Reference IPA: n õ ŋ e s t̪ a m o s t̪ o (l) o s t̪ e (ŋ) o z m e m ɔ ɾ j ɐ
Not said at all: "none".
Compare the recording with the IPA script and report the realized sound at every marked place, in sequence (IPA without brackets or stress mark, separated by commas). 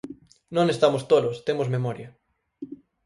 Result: l, m